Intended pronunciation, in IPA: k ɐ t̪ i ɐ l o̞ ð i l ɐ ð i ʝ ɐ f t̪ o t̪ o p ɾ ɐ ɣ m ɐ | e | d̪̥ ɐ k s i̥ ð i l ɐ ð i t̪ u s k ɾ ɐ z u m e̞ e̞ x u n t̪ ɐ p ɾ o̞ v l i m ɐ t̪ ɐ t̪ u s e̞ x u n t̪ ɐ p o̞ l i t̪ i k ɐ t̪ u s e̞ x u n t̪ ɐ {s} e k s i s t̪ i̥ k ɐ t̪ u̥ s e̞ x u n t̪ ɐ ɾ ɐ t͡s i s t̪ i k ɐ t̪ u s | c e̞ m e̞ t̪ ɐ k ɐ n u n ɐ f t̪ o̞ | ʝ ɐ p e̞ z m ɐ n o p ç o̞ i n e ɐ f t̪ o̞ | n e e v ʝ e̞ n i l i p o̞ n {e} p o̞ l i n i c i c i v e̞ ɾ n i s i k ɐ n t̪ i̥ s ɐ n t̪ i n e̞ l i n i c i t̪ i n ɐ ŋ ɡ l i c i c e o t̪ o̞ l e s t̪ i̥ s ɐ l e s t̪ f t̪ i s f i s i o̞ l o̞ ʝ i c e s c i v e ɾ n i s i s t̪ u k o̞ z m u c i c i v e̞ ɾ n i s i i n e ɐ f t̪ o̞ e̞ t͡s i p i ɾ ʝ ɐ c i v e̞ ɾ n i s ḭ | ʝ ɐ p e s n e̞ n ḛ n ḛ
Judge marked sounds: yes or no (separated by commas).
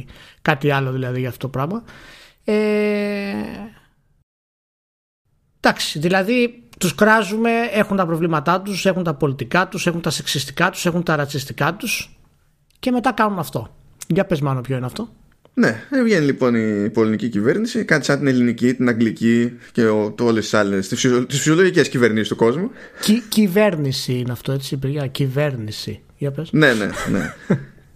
yes, no